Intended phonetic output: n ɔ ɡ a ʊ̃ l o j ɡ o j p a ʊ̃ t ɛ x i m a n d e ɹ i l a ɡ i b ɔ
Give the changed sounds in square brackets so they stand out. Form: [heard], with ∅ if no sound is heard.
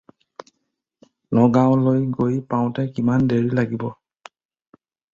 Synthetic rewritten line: n ɔ ɡ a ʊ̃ l o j ɡ o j p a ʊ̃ t ɛ [k] i m a n d e ɹ i l a ɡ i b ɔ